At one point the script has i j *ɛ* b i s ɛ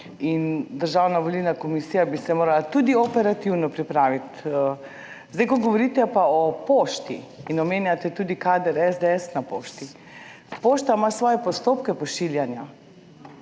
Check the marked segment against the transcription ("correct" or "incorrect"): incorrect